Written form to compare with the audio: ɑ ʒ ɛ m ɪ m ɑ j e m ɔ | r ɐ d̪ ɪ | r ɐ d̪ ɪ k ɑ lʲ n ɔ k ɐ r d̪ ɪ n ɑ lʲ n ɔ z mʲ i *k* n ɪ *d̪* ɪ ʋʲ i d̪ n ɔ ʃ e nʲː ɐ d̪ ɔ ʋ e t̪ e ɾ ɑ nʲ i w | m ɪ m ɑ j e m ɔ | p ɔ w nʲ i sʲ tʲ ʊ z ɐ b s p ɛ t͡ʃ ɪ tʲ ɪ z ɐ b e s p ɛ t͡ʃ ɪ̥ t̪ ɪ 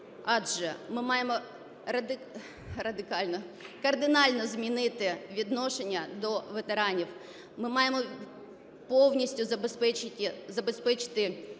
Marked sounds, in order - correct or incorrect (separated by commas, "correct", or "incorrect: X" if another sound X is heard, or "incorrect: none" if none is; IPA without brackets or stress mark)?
incorrect: none, incorrect: t̪